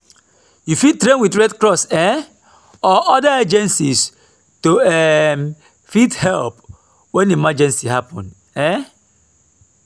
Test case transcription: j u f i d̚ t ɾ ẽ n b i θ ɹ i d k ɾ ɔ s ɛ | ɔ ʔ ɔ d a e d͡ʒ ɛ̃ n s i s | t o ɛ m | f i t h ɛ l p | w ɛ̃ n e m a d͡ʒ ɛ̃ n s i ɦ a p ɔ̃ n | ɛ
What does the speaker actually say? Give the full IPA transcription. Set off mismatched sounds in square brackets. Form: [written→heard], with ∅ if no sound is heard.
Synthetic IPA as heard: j u f i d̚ t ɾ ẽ n [b→w] i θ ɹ [i→ɛ] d k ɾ ɔ s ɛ | ɔ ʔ ɔ d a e d͡ʒ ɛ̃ n s i s | t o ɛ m | f i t h ɛ l p | w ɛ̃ n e m a d͡ʒ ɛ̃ n s i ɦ a p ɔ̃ n | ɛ